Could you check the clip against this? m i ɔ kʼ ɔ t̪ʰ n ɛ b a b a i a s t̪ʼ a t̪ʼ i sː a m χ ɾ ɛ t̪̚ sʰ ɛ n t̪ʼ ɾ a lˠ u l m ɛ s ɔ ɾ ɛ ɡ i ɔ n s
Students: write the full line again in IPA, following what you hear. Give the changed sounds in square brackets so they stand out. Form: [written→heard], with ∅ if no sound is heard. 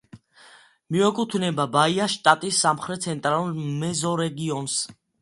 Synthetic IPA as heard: m i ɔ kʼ [ɔ→u] t̪ʰ n ɛ b a b a i a [s→ʃ] t̪ʼ a t̪ʼ i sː a m χ ɾ ɛ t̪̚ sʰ ɛ n t̪ʼ ɾ a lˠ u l m ɛ [s→z] ɔ ɾ ɛ ɡ i ɔ n s